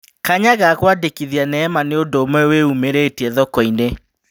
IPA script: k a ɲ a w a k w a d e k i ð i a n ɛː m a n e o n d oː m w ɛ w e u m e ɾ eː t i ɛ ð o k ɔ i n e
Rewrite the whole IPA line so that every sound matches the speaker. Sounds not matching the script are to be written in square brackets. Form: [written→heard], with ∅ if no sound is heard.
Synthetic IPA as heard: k a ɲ a [w→ɣ] a k w a d e k i ð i a n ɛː m a n e o n d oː m w ɛ w e u m e ɾ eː t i ɛ ð [o→ɔ] k ɔ i n e

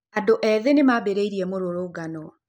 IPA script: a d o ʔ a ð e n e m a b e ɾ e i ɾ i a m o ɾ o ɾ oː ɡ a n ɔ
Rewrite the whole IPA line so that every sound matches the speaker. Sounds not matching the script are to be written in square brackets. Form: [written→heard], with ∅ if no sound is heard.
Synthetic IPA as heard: a d o ʔ [a→ɛ] ð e n e m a b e ɾ e i ɾ i [a→ɛ] m o ɾ o ɾ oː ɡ a n ɔ

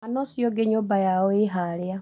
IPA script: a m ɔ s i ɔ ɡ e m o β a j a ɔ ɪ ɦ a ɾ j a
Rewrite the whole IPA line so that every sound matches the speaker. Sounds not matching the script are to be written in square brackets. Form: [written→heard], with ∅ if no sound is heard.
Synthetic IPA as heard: a [m→n] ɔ s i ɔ ɡ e [m→ɲ] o [β→b] a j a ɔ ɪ ɦ a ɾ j a

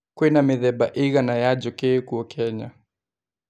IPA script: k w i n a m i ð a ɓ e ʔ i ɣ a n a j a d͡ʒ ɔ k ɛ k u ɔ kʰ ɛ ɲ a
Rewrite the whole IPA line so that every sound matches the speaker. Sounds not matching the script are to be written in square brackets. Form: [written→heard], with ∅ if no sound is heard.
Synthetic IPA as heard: k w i n a m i ð [a→ɛ] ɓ [e→a] ʔ i ɣ a n a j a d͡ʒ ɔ k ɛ k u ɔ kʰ ɛ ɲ a

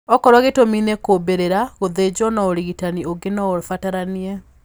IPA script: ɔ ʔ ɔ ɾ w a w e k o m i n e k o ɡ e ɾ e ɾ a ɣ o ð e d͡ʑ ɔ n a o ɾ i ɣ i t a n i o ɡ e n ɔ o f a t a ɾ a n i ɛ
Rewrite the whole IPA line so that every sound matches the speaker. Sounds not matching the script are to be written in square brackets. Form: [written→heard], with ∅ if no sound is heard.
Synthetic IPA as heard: ɔ [ʔ→k] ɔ ɾ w a [w→ɣ] e [k→t] o m i n e k o [ɡ→b] e ɾ e ɾ a ɣ o ð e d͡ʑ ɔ n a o ɾ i ɣ i t a n i o ɡ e n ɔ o f a t a ɾ a n i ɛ

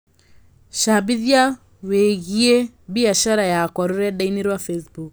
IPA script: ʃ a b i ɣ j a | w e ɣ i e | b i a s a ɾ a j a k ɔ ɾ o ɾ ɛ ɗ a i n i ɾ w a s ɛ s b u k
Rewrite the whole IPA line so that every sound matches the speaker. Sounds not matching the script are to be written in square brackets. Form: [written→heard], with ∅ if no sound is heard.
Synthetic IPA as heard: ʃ a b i [ɣ→ð] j a | w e ɣ i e | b i a [s→ʃ] a ɾ a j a k ɔ ɾ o ɾ ɛ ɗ a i n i ɾ w a [s→f] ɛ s b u k

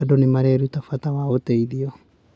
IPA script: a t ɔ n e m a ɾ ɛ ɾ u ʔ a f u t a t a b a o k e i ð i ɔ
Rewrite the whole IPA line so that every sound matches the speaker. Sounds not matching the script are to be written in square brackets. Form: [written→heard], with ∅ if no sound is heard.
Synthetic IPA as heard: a [t→d] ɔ n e m a ɾ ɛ ɾ u [ʔ→t] a f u [t→∅] a t a [b→w] a o [k→t] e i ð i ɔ

